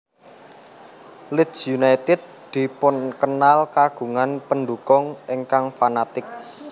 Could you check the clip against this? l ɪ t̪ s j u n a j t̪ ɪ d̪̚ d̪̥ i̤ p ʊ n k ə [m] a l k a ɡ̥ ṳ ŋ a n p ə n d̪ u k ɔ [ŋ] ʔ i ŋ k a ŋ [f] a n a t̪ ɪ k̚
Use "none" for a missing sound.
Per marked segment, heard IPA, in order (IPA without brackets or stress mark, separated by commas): n, ŋ, f